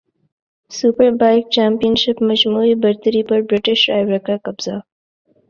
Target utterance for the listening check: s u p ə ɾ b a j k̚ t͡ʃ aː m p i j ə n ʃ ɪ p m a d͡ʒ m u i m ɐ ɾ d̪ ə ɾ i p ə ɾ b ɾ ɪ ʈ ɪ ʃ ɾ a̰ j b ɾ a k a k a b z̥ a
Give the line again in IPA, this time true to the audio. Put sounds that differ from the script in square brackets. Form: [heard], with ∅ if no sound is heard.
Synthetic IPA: s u p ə ɾ b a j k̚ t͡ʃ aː m p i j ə n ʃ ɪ p m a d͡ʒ m u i [b] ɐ ɾ [t̪] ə ɾ i p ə ɾ b ɾ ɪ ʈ ɪ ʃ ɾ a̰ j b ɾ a k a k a b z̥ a